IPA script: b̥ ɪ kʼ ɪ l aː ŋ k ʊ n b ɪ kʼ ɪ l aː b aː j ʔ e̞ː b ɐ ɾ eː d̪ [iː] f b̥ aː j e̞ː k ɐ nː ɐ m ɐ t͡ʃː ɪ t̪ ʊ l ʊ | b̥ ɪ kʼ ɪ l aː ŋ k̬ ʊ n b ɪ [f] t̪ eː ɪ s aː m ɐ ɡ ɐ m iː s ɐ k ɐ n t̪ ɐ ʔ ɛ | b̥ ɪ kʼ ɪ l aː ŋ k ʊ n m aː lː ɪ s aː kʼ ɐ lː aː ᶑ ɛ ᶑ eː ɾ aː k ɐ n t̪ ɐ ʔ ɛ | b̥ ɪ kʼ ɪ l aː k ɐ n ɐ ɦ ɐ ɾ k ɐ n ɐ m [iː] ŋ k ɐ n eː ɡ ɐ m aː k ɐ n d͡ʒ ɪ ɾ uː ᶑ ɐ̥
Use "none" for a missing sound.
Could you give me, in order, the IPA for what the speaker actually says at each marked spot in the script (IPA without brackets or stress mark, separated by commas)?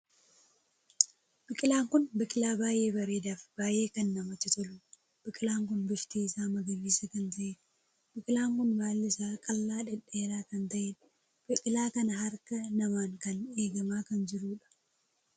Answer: aː, ʃ, aː